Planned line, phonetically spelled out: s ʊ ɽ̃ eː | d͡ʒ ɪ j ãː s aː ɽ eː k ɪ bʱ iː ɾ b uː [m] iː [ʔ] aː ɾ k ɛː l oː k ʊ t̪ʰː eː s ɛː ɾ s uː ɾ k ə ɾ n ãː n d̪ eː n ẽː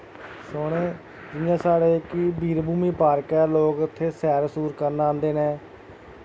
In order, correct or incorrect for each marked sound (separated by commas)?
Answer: correct, incorrect